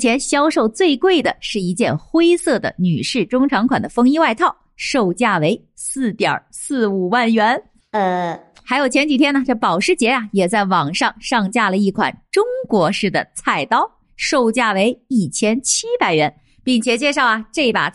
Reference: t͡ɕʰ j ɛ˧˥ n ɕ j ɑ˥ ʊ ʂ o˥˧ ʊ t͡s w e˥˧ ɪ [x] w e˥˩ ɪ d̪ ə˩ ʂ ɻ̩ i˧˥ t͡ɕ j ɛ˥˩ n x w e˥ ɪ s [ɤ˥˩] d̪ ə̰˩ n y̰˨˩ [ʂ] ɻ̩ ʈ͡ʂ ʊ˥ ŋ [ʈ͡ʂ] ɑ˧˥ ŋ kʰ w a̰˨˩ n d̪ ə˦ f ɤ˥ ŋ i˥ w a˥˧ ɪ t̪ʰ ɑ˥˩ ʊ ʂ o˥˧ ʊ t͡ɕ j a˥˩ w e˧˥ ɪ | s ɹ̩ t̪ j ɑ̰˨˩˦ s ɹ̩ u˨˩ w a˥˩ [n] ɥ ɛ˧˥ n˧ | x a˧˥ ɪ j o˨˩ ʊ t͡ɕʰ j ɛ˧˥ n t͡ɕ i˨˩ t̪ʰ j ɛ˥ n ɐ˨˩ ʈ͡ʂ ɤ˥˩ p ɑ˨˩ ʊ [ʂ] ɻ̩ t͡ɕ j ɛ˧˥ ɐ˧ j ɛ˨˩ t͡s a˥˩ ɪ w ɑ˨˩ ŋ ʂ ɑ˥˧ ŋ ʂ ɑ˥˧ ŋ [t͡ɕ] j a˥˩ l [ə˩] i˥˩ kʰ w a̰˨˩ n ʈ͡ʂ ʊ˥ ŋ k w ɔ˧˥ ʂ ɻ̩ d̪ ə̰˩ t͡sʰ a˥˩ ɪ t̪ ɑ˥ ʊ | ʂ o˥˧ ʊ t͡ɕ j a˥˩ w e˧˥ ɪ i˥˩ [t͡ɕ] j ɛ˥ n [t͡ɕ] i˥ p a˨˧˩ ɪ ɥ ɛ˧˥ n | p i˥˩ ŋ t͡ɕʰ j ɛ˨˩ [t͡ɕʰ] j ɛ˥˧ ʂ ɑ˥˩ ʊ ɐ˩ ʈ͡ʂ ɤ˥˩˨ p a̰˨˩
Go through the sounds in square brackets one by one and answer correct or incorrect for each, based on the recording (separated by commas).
incorrect, correct, correct, incorrect, correct, correct, correct, correct, incorrect, incorrect, incorrect